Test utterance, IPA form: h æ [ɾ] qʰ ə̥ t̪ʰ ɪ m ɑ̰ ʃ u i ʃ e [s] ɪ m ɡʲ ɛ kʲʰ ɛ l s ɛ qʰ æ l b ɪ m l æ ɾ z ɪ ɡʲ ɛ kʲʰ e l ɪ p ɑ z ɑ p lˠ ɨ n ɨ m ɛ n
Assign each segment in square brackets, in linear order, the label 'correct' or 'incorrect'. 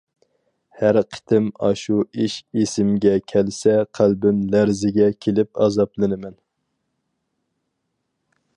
correct, correct

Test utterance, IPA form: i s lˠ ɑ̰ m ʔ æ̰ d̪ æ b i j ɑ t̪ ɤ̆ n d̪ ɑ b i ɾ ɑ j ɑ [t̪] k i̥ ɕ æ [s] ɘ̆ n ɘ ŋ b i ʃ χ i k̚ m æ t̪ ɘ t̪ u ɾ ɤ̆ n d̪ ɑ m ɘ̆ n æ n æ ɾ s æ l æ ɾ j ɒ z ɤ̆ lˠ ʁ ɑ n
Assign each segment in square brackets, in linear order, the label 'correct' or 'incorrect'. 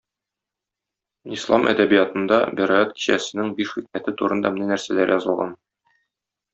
correct, correct

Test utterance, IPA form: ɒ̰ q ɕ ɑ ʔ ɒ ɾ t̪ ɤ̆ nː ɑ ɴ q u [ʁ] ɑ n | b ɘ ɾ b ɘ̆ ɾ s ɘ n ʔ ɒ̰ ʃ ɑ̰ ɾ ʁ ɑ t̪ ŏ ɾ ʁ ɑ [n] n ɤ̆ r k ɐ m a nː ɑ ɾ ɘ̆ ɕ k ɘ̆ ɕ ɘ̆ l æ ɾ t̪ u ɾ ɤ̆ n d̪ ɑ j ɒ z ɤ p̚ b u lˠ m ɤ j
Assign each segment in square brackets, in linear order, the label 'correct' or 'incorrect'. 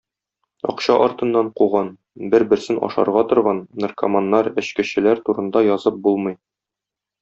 correct, correct

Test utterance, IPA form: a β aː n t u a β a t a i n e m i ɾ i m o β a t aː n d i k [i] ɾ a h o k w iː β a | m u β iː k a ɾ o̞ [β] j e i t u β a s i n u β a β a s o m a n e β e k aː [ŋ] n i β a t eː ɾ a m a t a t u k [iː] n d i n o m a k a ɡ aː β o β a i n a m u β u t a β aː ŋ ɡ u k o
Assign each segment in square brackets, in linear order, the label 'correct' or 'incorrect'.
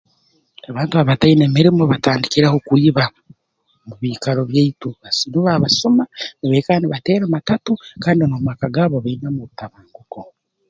correct, correct, incorrect: none, incorrect: aː

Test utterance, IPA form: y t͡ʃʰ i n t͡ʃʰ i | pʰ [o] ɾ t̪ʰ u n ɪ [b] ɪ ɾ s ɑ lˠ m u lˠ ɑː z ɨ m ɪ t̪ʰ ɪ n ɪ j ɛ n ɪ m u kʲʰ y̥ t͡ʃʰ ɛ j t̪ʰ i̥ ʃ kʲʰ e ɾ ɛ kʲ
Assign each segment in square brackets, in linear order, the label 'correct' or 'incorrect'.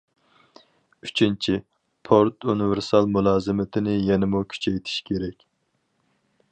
correct, incorrect: v

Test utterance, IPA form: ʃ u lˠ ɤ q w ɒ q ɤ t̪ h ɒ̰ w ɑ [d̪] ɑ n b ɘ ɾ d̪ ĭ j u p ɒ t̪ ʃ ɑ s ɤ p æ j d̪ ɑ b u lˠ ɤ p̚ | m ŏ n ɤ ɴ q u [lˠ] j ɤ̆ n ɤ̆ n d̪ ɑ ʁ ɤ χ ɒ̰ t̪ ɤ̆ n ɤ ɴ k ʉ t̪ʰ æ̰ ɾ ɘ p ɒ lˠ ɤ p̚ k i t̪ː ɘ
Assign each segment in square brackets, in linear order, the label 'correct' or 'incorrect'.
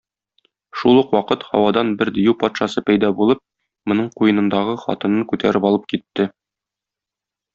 correct, incorrect: none

